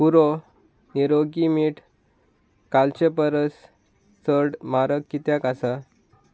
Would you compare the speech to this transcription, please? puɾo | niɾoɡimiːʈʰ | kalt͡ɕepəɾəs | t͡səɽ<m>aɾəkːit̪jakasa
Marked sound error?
no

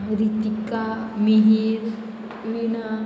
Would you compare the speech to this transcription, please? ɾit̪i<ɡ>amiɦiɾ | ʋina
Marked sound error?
yes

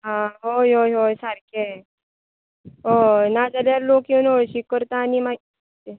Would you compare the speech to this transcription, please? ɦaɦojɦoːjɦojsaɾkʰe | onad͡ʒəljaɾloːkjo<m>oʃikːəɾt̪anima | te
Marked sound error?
yes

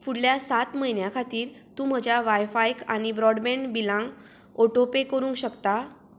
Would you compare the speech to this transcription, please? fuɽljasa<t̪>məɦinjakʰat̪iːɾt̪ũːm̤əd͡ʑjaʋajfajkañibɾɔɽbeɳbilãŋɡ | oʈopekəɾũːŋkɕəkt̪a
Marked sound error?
no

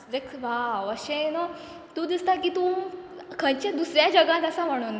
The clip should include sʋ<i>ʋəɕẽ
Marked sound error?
yes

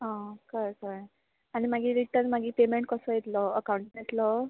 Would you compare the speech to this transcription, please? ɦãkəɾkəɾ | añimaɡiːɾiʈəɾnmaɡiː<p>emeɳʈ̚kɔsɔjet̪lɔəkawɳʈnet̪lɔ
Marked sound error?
no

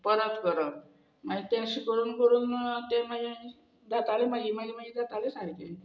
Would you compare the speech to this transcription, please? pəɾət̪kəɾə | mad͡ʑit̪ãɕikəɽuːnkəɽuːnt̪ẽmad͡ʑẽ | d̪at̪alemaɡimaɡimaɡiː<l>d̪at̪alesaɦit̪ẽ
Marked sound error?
yes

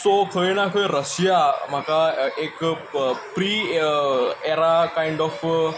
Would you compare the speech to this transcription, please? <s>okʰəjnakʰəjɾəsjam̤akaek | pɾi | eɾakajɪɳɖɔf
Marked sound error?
no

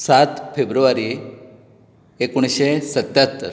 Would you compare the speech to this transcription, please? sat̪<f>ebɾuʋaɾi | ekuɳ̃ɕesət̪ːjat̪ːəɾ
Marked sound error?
no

